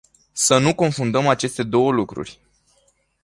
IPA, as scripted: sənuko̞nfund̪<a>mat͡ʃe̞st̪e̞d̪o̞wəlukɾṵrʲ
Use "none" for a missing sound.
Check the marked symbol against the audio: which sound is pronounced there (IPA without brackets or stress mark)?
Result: ə